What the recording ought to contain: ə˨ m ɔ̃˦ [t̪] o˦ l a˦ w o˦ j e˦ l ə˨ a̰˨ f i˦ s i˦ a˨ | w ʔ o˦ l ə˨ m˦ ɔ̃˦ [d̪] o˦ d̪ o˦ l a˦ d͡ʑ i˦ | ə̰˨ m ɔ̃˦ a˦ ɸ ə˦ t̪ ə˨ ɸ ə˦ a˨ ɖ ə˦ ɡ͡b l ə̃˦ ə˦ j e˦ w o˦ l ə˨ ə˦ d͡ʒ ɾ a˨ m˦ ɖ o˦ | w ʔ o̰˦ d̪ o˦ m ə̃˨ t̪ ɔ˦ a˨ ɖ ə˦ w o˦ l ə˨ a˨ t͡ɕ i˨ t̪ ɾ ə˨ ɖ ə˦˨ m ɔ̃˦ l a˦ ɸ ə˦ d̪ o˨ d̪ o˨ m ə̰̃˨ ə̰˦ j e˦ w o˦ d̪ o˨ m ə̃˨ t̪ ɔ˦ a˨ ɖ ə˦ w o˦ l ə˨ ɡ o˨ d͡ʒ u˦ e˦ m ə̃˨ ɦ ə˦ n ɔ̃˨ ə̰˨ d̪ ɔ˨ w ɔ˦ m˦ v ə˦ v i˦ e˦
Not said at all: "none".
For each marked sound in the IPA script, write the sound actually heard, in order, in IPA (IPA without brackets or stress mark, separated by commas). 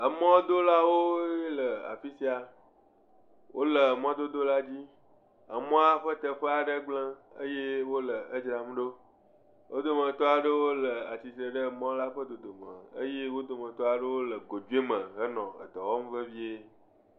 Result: d̪, d̪